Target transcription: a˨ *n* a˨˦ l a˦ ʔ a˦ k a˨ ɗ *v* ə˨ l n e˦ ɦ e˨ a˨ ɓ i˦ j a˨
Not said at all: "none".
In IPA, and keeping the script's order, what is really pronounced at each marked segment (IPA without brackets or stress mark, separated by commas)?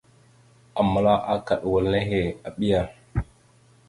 m, w